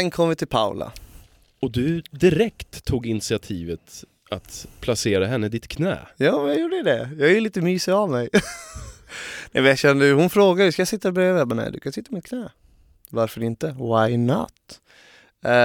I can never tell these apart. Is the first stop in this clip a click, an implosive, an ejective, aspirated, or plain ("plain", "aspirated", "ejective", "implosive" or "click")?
aspirated